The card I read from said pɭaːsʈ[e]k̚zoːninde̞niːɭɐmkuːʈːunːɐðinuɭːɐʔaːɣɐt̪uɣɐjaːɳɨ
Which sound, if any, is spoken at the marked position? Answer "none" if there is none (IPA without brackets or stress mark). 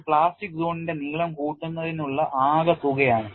i